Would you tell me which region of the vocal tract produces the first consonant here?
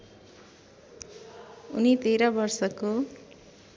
tongue tip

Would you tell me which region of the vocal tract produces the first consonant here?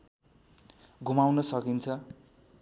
velum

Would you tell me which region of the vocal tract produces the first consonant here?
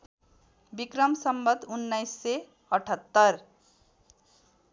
lips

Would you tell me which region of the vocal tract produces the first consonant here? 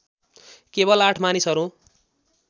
velum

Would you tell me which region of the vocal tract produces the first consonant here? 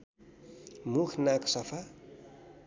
lips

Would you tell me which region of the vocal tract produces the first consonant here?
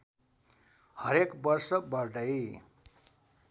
throat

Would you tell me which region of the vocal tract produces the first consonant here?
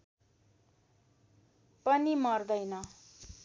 lips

